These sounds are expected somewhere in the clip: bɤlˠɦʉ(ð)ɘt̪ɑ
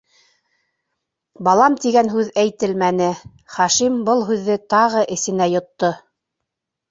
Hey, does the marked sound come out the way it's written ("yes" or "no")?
no